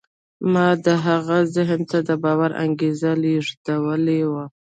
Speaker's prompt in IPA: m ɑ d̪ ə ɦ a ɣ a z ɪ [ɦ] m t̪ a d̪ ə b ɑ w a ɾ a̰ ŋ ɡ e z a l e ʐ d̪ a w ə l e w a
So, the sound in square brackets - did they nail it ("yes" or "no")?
yes